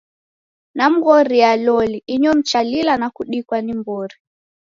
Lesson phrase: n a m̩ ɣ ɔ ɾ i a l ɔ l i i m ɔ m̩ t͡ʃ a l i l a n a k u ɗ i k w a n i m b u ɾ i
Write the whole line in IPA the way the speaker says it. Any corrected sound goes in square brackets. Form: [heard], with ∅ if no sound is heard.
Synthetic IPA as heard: n a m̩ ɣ ɔ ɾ i a l ɔ l i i [ɲ] ɔ m̩ t͡ʃ a l i l a n a k u ɗ i k w a n i m b [ɔ] ɾ i